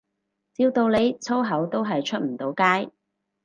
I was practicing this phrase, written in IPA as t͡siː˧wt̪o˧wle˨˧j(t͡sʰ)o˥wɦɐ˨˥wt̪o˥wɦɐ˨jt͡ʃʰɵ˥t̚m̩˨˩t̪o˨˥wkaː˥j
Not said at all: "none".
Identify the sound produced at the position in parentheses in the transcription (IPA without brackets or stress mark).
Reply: t͡sʰ